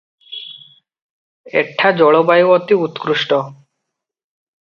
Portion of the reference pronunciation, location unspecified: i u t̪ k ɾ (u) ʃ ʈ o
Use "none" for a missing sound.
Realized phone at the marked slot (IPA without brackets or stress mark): u